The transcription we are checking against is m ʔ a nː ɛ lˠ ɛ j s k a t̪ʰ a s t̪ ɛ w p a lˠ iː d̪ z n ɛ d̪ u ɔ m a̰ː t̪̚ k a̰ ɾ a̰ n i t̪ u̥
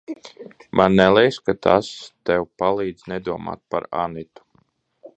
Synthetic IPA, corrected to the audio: m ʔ a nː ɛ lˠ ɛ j s k a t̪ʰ a s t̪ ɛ w p a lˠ iː d̪ z n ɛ d̪ u ɔ m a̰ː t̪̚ p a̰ ɾ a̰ n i t̪ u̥